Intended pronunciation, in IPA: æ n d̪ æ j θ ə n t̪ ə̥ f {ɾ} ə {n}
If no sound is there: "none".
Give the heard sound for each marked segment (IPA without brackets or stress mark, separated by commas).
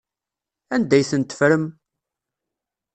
ɾ, m